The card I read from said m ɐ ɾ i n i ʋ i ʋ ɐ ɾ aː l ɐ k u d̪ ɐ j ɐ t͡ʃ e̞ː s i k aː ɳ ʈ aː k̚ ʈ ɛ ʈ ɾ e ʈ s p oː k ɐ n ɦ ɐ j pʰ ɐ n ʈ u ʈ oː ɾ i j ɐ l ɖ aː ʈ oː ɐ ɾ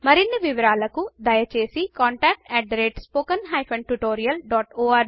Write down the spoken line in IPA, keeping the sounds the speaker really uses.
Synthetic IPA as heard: m ɐ ɾ i nː i ʋ i ʋ ɐ ɾ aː l ɐ k u d̪ ɐ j ɐ t͡ʃ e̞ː s i k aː ɳ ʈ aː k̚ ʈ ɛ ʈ ɾ e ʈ s p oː k ɐ n ɦ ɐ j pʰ ɐ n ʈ u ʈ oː ɾ i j ɐ l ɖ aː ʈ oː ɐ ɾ